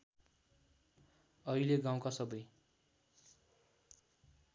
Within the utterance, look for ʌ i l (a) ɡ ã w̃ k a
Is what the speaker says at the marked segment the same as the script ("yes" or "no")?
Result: no